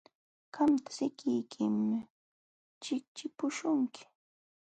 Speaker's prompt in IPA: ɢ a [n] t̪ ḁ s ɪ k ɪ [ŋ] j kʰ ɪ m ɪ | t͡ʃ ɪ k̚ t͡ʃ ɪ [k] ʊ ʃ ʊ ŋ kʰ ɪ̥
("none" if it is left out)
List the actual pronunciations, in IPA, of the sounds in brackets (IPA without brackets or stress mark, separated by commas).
m, none, p